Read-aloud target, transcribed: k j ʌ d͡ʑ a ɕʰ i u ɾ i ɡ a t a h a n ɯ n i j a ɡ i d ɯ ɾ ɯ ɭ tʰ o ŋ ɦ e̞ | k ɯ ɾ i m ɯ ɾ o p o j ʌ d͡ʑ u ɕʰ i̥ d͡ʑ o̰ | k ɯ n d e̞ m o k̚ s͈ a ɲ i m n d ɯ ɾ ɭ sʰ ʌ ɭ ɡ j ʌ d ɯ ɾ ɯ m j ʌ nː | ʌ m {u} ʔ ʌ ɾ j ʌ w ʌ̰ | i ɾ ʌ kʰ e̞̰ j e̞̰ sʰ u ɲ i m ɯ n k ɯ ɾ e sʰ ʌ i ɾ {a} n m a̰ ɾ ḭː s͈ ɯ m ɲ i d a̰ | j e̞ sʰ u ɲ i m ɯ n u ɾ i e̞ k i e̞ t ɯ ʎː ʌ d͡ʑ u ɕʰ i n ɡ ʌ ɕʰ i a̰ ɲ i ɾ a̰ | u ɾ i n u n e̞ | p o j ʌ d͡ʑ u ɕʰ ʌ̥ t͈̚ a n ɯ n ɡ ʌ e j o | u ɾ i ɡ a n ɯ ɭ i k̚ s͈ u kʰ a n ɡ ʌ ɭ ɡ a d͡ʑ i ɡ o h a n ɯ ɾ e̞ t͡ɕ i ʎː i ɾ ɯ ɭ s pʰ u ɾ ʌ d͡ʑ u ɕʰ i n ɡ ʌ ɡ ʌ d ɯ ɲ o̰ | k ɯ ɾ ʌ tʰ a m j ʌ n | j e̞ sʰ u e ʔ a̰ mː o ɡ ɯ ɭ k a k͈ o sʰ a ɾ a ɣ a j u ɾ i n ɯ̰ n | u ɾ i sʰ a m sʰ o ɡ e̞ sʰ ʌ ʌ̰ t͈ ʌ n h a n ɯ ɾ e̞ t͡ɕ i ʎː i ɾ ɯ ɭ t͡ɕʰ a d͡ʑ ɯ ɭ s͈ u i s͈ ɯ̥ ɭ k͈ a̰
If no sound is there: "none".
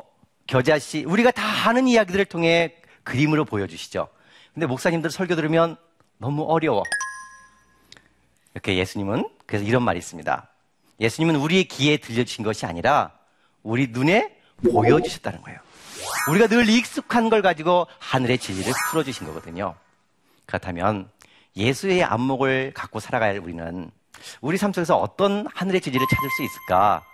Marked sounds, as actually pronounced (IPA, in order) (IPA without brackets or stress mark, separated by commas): u, ʌ